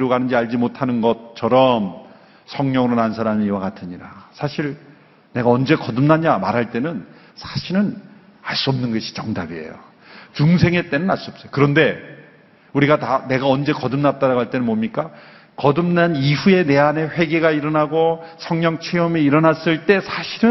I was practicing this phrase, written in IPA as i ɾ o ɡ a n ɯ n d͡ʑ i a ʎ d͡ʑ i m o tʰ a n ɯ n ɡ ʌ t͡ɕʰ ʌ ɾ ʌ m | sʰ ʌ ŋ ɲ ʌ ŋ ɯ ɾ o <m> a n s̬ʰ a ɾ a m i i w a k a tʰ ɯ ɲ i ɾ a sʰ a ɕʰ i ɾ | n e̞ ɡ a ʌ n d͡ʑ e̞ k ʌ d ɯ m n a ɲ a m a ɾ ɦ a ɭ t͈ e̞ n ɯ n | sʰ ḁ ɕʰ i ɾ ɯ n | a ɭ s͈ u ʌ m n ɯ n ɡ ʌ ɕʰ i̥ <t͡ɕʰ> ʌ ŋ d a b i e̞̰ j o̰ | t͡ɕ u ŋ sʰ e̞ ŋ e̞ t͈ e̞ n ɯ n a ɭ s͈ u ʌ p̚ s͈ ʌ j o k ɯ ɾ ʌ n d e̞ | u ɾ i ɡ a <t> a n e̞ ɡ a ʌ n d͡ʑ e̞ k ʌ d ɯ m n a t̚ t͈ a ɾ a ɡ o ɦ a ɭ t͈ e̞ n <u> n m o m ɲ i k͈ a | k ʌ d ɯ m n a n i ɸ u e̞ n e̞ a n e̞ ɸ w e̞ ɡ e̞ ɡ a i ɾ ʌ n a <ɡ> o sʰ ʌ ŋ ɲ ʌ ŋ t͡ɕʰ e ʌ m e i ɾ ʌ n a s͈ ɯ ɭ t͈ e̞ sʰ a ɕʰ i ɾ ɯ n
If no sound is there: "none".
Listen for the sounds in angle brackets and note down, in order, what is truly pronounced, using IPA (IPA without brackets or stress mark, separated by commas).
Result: n, t͡ɕ, t, ɯ, ɡ